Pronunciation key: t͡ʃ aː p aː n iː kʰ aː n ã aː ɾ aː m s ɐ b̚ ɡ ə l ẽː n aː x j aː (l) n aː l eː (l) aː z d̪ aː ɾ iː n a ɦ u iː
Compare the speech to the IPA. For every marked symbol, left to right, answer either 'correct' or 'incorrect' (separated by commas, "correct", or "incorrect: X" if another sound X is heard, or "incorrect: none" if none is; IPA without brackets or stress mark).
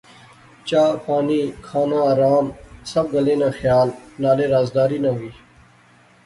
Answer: correct, incorrect: ɾ